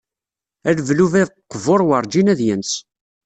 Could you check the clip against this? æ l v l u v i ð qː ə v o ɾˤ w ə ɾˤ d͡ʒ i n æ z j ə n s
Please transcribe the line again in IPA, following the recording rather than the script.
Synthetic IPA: æ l v l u v æ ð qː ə v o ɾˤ w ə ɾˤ d͡ʒ i n æ ð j ə n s